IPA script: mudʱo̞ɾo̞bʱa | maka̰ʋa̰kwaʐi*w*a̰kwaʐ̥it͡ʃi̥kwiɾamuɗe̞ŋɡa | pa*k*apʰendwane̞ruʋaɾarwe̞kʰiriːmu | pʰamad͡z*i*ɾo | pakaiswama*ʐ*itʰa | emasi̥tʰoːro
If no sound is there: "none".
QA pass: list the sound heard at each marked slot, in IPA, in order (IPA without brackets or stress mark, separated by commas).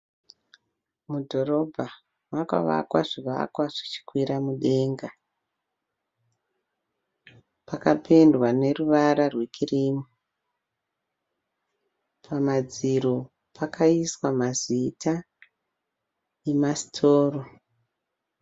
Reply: ʋ, k, i, z